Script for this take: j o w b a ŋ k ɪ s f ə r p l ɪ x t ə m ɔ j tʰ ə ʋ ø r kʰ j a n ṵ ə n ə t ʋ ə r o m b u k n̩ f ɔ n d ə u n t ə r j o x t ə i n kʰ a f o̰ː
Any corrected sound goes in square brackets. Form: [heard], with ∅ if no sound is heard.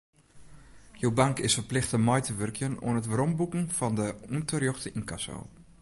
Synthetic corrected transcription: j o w b a ŋ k ɪ s f ə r p l ɪ x t ə m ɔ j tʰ ə ʋ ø r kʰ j [ə] n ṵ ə n ə t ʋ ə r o m b u k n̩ f ɔ n d ə u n t ə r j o x t ə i n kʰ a [s] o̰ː